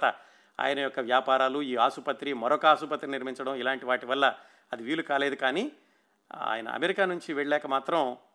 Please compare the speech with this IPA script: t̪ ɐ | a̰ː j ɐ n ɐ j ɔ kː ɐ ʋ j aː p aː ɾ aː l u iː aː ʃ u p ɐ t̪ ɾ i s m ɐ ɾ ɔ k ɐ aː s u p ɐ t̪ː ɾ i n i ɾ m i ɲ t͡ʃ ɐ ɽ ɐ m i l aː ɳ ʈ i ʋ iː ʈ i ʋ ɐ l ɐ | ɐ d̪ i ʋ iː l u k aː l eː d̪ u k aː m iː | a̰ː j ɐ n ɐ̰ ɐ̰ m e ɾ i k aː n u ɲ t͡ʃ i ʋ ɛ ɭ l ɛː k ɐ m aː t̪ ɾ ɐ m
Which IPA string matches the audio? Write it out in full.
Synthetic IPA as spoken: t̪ ɐ | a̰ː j ɐ n ɐ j ɔ kː ɐ ʋ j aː p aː ɾ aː l u iː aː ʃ u p ɐ t̪ ɾ i m ɐ ɾ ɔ k ɐ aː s u p ɐ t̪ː ɾ i n i ɾ m i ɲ t͡ʃ ɐ ɽ ɐ m i l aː ɳ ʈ i ʋ aː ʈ i ʋ ɐ lː ɐ | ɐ d̪ i ʋ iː l u k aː l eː d̪ u k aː n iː | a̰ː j ɐ n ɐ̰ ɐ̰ m e ɾ i k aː n u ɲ t͡ʃ i ʋ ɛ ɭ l ɛː k ɐ m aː t̪ ɾ ɐ m